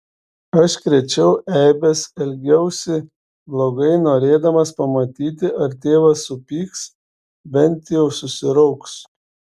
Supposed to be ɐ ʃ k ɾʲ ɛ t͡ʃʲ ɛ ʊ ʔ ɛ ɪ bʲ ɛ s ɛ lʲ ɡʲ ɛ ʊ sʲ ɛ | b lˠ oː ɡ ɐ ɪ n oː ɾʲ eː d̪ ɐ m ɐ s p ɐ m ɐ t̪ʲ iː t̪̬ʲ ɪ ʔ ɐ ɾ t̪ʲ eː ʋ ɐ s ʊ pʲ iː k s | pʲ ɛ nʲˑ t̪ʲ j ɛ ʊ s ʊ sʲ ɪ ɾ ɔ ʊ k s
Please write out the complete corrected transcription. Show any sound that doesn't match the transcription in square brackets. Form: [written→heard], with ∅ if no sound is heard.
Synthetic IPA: ɐ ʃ k ɾʲ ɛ t͡ʃʲ ɛ ʊ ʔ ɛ ɪ bʲ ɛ s ɛ lʲ ɡʲ ɛ ʊ sʲ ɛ | b lˠ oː ɡ ɐ ɪ n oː ɾʲ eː d̪ ɐ m ɐ s p ɐ m ɐ t̪ʲ iː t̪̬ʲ ɪ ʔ ɐ ɾ t̪ʲ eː ʋ ɐ s ʊ pʲ iː k s | [pʲ→bʲ] ɛ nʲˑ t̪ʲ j ɛ ʊ s ʊ sʲ ɪ ɾ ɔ ʊ k s

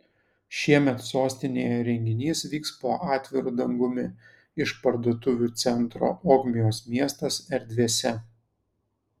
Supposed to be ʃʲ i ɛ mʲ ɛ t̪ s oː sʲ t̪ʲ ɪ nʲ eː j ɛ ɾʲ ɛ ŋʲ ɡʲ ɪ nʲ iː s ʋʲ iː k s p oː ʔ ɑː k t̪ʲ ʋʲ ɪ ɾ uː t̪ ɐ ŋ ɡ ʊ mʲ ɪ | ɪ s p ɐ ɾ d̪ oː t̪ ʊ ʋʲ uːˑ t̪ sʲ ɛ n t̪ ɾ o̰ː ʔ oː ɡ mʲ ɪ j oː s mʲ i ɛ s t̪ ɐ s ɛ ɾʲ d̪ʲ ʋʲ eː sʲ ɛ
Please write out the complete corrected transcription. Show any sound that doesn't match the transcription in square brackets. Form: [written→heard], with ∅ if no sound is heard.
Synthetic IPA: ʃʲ i ɛ mʲ ɛ t̪ s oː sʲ t̪ʲ ɪ nʲ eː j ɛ ɾʲ ɛ ŋʲ ɡʲ ɪ nʲ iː s ʋʲ iː k s p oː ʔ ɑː [k→∅] t̪ʲ ʋʲ ɪ ɾ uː [t̪→d̪] ɐ ŋ ɡ ʊ mʲ ɪ | ɪ [s→ʃ] p ɐ ɾ d̪ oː t̪ ʊ ʋʲ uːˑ t̪ sʲ ɛ n t̪ ɾ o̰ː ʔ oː ɡ mʲ ɪ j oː s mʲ i ɛ s t̪ ɐ s ɛ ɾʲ d̪ʲ ʋʲ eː sʲ ɛ

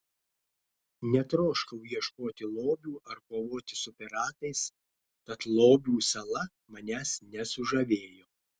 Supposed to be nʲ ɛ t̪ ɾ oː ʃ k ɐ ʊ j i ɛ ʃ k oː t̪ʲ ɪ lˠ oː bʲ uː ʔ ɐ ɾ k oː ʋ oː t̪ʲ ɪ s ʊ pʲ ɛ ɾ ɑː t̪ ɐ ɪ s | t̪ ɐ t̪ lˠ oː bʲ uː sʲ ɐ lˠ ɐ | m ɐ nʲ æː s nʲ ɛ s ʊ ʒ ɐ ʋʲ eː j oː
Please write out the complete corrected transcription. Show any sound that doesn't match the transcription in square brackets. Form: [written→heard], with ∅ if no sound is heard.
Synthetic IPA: nʲ ɛ t̪ ɾ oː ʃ k ɐ ʊ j i ɛ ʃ k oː t̪ʲ ɪ lˠ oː bʲ uː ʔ ɐ ɾ k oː ʋ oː t̪ʲ ɪ s ʊ pʲ ɛ ɾ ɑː t̪ ɐ ɪ s | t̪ ɐ t̪ lˠ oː bʲ uː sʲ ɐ lˠ ɐ | m ɐ nʲ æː s nʲ ɛ s ʊ ʒ ɐ ʋʲ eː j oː

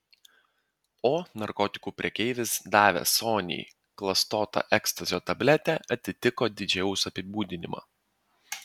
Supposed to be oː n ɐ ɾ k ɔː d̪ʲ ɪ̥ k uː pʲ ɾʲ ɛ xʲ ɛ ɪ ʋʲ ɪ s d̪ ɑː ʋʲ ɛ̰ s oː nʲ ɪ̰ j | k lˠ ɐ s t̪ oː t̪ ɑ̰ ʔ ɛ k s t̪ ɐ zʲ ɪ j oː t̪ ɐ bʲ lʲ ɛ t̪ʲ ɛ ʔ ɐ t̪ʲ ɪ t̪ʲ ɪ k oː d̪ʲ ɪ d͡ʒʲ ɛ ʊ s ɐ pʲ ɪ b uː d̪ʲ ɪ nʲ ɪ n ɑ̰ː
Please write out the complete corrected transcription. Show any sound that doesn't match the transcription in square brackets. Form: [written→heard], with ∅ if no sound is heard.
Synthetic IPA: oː n ɐ ɾ k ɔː [d̪ʲ→t̪ʲ] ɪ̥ k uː pʲ ɾʲ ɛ [xʲ→kʲ] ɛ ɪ ʋʲ ɪ s d̪ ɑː ʋʲ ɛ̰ s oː nʲ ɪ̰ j | k lˠ ɐ s t̪ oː t̪ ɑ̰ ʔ ɛ k s t̪ ɐ zʲ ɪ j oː t̪ ɐ bʲ lʲ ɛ t̪ʲ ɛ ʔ ɐ t̪ʲ ɪ t̪ʲ ɪ k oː d̪ʲ ɪ d͡ʒʲ ɛ ʊ s ɐ pʲ ɪ b uː d̪ʲ ɪ nʲ ɪ [n→m] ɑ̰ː

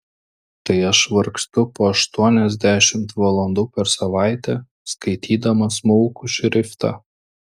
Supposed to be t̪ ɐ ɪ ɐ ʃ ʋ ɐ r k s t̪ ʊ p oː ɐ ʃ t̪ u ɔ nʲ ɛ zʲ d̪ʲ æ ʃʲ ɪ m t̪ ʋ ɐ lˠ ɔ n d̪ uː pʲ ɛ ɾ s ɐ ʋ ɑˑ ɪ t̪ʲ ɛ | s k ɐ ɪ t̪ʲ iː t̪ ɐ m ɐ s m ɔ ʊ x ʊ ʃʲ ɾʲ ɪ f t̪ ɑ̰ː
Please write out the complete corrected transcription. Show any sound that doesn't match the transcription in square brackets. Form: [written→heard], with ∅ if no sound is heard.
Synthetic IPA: t̪ ɐ ɪ ɐ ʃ ʋ ɐ [r→ɾ] k s t̪ ʊ p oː ɐ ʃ t̪ u ɔ nʲ ɛ zʲ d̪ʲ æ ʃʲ ɪ m t̪ ʋ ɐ lˠ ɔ n d̪ uː pʲ ɛ ɾ s ɐ ʋ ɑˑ ɪ t̪ʲ ɛ | s k ɐ ɪ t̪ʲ iː [t̪→d̪] ɐ m ɐ s m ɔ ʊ [x→k] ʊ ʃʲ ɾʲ ɪ f t̪ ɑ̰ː

